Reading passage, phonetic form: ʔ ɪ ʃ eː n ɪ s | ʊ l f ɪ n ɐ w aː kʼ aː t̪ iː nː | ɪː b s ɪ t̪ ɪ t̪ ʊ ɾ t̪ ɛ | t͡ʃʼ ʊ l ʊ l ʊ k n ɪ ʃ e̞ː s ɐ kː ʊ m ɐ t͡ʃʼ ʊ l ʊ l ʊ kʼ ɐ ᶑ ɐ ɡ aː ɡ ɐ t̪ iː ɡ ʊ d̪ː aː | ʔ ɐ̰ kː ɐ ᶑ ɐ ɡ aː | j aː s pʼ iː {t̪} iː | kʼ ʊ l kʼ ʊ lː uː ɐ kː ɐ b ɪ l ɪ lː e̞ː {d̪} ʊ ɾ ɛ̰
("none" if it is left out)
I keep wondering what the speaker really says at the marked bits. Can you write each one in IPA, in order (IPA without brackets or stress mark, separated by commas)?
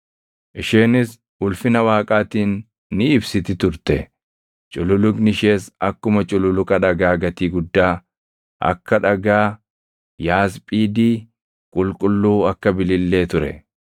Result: d̪, t̪